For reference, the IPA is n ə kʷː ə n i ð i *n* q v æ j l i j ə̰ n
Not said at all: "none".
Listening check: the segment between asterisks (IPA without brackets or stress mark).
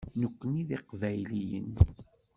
none